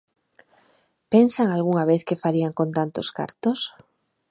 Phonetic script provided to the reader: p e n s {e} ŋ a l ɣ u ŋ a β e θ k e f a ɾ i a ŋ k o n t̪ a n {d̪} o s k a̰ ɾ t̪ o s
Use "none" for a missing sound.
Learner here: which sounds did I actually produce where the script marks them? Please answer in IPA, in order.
a, t̪

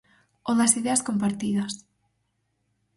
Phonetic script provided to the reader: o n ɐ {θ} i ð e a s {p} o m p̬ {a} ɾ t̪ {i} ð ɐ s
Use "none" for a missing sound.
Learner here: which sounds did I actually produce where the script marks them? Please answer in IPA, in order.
s, k, a, i

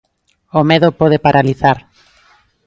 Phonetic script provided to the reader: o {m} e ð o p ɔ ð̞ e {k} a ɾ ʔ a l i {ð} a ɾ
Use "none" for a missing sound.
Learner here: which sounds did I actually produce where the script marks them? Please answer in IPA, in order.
m, p, θ

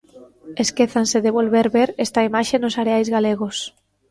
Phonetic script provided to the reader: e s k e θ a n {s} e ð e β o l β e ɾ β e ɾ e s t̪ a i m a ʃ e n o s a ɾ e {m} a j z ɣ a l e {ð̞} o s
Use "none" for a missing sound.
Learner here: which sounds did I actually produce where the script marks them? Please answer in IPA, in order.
s, none, ɣ̞

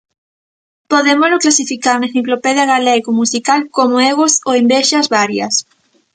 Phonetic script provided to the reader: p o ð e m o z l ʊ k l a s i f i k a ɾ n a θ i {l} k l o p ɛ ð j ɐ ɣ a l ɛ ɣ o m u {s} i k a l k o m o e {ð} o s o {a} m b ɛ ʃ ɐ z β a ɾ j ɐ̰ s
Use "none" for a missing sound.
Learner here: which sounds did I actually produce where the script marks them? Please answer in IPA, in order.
none, s, ɣ, e

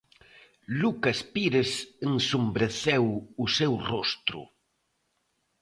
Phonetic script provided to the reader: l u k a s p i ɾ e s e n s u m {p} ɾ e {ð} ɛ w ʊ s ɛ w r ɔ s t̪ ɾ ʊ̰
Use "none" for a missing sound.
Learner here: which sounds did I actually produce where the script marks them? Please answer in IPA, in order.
b, θ

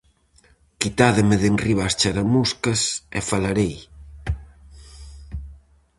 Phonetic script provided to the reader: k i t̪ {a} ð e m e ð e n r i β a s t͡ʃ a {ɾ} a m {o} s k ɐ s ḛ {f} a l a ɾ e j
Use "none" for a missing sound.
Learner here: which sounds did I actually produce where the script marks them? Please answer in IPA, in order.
a, ɾ, u, f

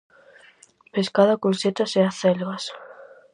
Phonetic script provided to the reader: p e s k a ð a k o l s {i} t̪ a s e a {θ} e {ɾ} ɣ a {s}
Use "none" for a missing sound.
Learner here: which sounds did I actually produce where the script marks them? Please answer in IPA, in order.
e, θ, l, s

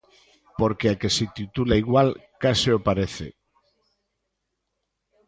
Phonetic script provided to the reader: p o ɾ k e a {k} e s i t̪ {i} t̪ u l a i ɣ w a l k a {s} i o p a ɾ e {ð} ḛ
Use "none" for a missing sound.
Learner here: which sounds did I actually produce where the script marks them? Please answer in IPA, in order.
k, i, s, θ

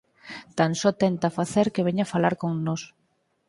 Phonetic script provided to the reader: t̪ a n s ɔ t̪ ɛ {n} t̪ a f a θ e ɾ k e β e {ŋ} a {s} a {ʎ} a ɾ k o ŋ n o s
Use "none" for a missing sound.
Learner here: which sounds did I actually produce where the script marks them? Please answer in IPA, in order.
n, ɲ, f, l

